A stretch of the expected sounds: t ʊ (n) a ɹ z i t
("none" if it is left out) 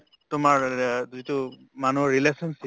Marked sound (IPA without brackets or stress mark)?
m